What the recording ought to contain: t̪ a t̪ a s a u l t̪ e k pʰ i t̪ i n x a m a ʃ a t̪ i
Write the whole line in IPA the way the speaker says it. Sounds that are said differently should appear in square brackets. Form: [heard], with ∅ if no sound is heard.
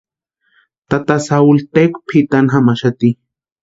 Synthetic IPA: t̪ a t̪ a s a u l t̪ e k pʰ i t̪ [a] n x a m a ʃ a t̪ i

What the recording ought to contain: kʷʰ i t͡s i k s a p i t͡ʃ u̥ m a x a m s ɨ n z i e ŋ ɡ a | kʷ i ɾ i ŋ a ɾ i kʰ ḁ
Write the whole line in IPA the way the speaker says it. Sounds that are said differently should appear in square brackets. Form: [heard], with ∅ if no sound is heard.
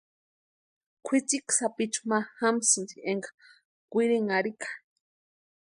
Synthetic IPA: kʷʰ i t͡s i k s a p i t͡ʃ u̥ m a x a m s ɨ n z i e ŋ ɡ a | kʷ i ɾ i ŋ a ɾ i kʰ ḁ

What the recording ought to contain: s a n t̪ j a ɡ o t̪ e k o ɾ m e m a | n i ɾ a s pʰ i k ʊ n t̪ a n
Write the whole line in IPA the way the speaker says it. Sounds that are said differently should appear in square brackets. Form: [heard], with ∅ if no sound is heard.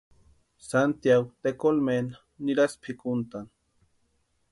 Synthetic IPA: s a n t̪ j a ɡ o t̪ e k o [l] m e [n] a | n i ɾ a s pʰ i k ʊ n t̪ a n

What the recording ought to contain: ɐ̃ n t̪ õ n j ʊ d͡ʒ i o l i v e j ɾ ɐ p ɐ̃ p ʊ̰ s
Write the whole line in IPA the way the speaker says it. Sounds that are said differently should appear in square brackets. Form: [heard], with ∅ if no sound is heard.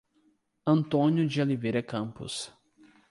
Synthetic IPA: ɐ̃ n t̪ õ n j ʊ d͡ʒ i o l i v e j ɾ ɐ [k] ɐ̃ p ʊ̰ s

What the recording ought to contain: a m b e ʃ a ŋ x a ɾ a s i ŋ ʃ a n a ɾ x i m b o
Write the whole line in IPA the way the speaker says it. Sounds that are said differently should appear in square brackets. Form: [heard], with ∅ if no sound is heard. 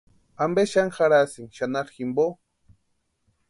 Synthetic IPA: a m b e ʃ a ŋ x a ɾ a s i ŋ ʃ a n a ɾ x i m b o

